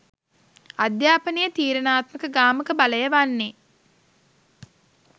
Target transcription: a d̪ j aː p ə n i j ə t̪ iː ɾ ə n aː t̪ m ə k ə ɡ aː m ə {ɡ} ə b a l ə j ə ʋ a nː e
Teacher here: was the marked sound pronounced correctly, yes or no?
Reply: no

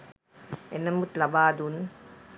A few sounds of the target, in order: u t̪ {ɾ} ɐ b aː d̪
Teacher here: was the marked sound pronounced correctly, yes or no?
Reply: no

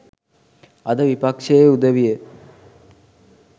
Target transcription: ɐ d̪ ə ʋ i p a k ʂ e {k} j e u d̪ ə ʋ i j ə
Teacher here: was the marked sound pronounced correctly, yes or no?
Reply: no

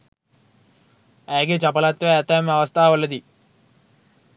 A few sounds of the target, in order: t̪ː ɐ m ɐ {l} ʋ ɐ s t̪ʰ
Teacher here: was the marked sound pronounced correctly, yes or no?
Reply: no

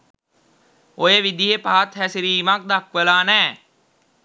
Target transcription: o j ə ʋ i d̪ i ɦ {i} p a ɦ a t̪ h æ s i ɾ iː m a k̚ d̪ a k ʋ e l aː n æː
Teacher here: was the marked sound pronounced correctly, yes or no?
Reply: no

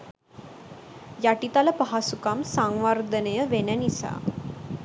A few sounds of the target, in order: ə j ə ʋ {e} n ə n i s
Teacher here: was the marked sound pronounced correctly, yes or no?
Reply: yes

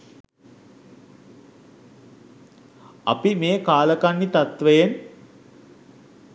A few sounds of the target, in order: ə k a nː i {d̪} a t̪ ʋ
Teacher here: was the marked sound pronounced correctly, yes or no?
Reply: no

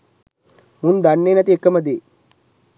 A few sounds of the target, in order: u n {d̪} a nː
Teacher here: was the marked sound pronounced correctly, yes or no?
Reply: yes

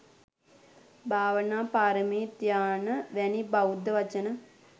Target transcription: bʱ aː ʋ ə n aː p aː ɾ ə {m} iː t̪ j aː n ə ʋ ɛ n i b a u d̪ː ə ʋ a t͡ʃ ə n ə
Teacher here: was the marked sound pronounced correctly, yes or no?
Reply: yes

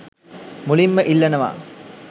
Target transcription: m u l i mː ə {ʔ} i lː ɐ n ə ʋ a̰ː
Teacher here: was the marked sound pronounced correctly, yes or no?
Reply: yes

